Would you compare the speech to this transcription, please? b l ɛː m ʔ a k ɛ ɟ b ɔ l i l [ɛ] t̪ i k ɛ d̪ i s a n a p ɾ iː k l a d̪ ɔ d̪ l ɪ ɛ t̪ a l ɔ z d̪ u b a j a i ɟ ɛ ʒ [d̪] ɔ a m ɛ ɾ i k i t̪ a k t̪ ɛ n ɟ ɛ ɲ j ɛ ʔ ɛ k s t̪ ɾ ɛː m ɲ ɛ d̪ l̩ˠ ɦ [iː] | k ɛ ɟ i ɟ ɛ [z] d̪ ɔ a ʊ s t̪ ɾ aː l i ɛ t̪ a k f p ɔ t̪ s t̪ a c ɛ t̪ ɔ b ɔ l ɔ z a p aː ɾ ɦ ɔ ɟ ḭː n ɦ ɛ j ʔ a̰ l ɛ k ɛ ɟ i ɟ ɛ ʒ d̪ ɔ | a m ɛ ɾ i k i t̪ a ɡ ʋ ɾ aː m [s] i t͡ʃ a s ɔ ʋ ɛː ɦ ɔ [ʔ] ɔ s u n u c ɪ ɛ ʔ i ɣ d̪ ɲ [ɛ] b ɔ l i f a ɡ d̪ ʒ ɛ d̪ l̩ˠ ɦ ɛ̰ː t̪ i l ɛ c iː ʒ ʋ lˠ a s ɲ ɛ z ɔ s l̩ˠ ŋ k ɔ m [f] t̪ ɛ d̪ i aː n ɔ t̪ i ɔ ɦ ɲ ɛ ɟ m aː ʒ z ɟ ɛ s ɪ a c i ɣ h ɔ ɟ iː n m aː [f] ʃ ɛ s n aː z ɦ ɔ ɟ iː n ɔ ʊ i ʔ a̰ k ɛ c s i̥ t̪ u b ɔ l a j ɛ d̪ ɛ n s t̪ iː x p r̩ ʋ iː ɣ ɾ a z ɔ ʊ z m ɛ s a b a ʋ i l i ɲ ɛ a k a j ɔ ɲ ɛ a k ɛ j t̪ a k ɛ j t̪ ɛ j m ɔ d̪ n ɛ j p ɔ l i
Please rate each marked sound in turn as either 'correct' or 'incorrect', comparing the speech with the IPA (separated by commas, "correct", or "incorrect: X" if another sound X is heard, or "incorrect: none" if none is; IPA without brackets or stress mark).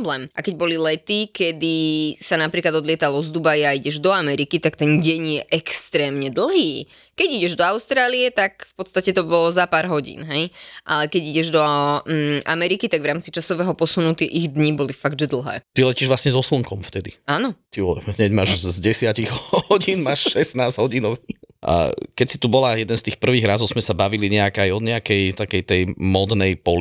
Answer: correct, correct, correct, incorrect: ʒ, incorrect: t͡s, incorrect: p, incorrect: i, correct, incorrect: ʃ